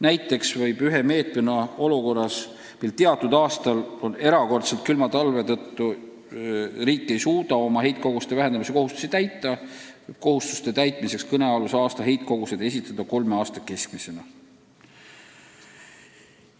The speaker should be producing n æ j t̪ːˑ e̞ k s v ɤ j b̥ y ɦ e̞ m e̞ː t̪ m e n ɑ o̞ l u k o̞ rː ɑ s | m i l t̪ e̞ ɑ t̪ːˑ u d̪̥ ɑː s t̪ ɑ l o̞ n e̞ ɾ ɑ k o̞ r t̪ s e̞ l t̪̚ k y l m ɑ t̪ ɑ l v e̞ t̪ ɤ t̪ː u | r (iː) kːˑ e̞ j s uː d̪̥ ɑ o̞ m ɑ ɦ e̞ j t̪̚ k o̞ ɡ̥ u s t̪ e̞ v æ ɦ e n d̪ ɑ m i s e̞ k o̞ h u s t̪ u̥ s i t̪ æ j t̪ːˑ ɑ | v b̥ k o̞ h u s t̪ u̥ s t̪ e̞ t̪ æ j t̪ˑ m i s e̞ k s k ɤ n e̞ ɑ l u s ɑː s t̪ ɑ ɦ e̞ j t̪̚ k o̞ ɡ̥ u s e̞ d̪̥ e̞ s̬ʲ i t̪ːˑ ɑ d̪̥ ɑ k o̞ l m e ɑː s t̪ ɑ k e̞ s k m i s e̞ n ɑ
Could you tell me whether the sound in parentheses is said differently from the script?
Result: no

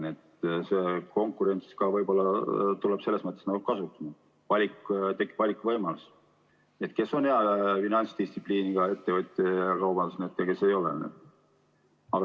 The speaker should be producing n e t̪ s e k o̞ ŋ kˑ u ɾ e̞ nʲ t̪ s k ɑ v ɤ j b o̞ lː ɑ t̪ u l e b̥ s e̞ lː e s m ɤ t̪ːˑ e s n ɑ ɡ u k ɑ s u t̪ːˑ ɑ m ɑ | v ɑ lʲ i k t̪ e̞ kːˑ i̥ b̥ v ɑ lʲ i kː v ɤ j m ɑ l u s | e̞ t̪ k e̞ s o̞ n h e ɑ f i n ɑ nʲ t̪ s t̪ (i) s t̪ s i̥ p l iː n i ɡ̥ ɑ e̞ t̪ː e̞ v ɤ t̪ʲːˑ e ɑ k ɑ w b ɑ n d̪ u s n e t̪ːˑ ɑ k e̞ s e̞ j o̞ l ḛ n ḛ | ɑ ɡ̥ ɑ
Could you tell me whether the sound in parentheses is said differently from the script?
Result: no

